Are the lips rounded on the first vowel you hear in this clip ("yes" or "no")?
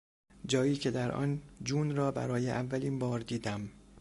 yes